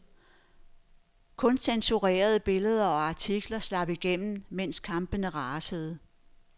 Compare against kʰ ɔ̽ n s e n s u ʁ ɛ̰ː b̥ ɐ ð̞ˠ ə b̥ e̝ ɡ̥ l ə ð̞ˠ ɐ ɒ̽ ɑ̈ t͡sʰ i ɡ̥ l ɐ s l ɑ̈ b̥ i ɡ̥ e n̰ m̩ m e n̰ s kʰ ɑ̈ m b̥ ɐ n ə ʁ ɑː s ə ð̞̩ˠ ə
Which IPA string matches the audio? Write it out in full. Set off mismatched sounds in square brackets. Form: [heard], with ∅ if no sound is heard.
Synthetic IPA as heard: kʰ ɔ̽ n s e n s u ʁ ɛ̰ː [∅] ɐ ð̞ˠ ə b̥ e̝ [∅] l ə ð̞ˠ ɐ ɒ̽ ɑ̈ t͡sʰ i ɡ̥ l ɐ s l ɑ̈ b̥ i ɡ̥ e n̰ m̩ m e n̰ s kʰ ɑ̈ m b̥ [ə] n ə ʁ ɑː s ə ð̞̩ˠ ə